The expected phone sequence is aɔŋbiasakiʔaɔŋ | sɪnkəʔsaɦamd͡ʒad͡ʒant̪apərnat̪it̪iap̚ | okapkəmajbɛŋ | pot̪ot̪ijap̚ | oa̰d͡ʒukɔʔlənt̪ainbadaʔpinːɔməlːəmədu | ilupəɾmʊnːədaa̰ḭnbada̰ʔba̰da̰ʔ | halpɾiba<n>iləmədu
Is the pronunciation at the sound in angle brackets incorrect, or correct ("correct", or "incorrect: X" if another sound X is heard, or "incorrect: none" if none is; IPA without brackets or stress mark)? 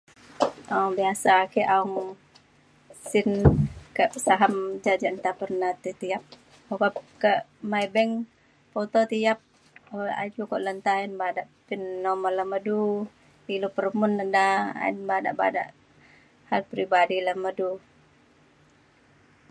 incorrect: d